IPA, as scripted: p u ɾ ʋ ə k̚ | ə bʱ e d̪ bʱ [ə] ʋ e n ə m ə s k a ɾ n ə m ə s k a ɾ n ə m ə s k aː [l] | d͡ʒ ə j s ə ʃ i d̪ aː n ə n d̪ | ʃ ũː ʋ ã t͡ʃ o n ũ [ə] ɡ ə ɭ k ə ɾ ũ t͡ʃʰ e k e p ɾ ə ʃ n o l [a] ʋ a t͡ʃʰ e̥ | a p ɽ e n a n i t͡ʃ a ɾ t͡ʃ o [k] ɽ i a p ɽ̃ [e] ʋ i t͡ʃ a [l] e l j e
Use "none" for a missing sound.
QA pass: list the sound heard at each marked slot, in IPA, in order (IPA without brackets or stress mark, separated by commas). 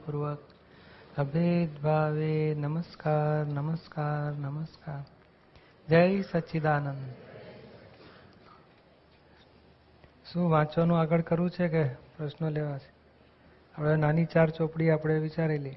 a, ɾ, a, e, p, e, ɾ